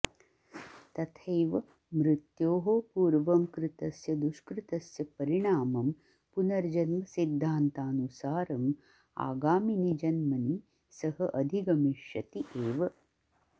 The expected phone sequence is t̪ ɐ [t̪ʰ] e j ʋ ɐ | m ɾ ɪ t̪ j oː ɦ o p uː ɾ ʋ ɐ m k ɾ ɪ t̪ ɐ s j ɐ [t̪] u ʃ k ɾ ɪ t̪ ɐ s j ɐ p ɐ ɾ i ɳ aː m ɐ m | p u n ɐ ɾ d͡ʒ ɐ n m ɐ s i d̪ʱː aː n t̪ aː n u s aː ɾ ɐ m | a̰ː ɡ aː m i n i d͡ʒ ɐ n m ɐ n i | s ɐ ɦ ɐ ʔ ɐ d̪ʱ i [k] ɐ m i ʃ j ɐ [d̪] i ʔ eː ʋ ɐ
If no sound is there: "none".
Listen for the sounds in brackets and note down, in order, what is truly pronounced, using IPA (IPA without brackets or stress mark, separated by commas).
t̪ʰ, d̪, ɡ, t̪